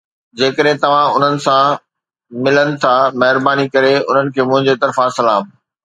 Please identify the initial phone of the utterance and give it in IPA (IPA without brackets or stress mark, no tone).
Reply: d͡ʑ